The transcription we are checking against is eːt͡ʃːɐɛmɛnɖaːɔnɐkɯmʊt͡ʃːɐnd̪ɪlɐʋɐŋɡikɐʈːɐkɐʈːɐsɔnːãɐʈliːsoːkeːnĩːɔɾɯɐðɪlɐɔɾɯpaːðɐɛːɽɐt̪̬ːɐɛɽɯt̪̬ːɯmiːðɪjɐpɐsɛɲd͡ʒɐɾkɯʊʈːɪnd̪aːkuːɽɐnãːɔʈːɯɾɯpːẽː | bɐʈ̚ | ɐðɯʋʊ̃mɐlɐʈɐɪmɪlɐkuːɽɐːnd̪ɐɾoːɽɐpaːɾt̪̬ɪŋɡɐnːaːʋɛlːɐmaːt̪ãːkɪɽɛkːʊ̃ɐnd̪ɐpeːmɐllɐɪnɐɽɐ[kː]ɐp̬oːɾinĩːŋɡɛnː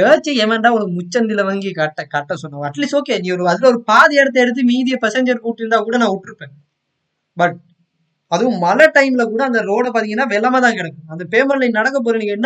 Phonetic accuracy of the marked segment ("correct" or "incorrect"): correct